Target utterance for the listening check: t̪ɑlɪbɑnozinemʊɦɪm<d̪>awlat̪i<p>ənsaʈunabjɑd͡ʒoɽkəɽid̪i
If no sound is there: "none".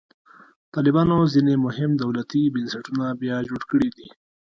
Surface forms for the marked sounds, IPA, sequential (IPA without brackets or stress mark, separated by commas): d̪, b